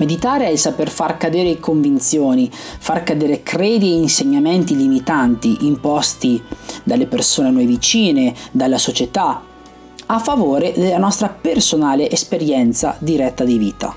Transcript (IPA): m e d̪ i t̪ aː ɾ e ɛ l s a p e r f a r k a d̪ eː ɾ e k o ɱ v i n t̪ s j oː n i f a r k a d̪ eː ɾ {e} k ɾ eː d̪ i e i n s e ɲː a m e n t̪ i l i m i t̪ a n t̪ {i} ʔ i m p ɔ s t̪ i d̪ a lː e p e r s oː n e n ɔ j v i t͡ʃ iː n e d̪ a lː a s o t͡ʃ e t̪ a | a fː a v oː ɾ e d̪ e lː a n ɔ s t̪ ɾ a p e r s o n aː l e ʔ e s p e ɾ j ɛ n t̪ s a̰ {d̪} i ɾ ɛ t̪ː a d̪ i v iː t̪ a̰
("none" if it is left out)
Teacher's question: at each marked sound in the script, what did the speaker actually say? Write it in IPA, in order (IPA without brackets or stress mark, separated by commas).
e, i, d̪